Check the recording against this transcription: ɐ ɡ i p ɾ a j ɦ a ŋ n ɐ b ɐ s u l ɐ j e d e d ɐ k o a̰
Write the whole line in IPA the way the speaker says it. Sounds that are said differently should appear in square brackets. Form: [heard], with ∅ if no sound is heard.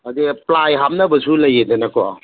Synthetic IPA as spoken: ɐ [d] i p [l] a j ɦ a [m] n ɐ b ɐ s u l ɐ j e d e [n] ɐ k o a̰